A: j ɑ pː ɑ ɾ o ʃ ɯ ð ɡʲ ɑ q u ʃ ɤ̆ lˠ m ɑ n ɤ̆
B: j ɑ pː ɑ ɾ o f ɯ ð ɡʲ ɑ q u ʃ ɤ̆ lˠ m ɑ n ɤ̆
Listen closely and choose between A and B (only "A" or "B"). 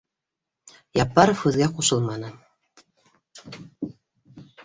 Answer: B